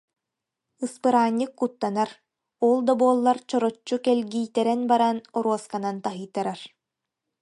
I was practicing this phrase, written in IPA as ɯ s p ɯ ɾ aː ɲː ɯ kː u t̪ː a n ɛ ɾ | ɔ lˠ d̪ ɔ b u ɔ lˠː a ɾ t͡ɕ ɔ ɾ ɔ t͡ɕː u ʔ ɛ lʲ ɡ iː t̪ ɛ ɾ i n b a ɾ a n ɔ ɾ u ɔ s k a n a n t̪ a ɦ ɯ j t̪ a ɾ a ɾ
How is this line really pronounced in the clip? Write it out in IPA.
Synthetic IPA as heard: ɯ s p ɯ ɾ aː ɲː ɯ kː u t̪ː a n a ɾ | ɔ lˠ d̪ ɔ b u ɔ lˠː a ɾ t͡ɕ ɔ ɾ ɔ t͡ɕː u k ɛ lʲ ɡ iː t̪ ɛ ɾ ɛ n b a ɾ a n ɔ ɾ u ɔ s k a n a n t̪ a ɦ ɯ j t̪ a ɾ a ɾ